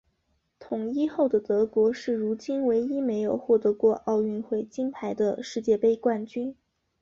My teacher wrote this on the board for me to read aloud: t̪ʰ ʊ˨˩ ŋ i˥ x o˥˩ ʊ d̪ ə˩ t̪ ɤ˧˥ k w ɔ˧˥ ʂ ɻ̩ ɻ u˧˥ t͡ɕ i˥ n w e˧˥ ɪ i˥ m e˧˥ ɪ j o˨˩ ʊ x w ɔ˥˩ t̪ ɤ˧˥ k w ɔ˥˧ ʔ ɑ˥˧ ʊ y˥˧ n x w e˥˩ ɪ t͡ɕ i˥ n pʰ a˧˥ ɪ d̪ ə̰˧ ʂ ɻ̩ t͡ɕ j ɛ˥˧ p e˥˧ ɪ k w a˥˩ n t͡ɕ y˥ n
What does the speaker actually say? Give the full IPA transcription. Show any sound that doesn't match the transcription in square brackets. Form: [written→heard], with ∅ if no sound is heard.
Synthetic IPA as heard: t̪ʰ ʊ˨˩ ŋ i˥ x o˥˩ ʊ d̪ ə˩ t̪ ɤ˧˥ k w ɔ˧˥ ʂ ɻ̩ ɻ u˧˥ t͡ɕ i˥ n w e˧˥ ɪ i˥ m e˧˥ ɪ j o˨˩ ʊ x w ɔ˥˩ t̪ ɤ˧˥ k w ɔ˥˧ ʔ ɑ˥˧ ʊ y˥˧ n x w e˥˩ ɪ t͡ɕ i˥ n pʰ a˧˥ ɪ d̪ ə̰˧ ʂ ɻ̩ t͡ɕ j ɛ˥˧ p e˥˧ ɪ k w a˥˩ n t͡ɕ y˥ n